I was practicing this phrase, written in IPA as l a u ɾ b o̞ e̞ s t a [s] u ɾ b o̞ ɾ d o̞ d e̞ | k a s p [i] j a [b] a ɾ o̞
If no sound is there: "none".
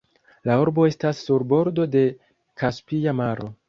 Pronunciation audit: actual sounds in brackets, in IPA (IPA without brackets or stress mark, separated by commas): sː, i, m